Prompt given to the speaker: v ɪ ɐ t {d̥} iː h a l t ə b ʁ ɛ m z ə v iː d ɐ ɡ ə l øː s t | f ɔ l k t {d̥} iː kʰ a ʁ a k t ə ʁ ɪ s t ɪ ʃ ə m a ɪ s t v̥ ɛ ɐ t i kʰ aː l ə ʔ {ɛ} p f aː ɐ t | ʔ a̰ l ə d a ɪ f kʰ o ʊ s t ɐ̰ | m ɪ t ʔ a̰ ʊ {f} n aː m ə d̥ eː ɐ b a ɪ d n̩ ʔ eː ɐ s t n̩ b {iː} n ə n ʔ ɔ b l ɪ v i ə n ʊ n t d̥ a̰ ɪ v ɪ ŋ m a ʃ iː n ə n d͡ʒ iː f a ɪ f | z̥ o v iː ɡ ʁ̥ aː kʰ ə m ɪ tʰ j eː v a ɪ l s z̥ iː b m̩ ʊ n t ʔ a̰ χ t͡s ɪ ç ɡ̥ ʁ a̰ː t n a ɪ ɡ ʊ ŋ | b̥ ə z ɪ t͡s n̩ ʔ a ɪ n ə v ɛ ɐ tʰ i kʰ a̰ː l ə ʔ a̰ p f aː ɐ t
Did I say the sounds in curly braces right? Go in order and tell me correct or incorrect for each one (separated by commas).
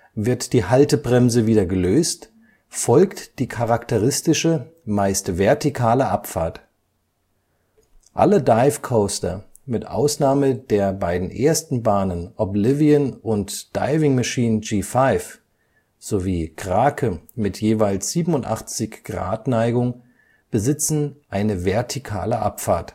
correct, correct, incorrect, incorrect, incorrect